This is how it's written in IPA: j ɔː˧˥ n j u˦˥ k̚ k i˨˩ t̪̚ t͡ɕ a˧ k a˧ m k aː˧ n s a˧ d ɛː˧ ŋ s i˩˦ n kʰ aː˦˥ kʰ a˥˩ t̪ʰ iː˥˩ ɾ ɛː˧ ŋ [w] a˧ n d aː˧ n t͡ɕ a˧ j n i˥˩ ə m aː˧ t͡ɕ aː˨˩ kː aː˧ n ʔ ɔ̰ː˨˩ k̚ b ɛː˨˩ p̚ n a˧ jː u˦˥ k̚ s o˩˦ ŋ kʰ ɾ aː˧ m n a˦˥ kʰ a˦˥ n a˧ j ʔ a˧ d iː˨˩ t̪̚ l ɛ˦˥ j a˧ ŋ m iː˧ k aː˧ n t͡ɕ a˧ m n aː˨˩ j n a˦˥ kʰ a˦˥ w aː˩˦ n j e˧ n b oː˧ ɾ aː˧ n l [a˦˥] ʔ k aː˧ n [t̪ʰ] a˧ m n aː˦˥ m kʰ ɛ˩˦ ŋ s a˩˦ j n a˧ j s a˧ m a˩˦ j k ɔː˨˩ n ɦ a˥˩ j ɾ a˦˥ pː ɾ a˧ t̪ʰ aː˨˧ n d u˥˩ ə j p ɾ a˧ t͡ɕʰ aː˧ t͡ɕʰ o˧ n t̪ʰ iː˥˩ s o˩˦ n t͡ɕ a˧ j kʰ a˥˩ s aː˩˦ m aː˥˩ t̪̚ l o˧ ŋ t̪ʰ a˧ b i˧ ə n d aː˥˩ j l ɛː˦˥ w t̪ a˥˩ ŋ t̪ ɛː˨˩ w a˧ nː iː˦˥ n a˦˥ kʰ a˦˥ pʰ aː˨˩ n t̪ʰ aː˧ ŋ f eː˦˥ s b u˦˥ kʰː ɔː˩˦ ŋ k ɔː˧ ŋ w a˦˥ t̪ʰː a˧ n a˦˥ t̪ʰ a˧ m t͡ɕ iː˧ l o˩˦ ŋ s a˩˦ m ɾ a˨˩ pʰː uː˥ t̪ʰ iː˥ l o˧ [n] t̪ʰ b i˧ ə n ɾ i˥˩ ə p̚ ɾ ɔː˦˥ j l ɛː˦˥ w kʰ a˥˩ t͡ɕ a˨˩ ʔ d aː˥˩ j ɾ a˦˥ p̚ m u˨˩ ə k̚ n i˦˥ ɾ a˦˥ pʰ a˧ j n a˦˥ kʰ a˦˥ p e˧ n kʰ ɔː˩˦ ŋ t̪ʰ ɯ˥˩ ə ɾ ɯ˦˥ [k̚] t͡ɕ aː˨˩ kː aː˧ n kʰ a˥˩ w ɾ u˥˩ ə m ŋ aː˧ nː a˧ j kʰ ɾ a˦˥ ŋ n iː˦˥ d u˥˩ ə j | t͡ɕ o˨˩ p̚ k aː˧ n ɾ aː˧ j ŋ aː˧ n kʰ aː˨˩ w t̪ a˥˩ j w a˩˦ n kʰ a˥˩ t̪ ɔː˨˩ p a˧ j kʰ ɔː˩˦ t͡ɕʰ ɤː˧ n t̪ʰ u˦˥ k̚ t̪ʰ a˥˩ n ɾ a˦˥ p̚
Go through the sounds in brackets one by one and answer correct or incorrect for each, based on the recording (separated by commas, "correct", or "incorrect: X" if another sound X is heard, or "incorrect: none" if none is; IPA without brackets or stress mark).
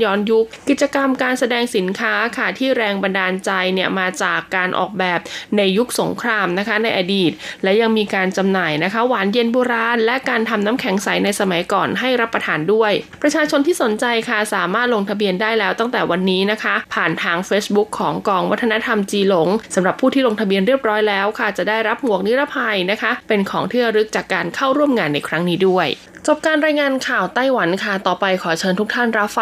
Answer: incorrect: b, incorrect: ɛ˦˥, correct, incorrect: ŋ, correct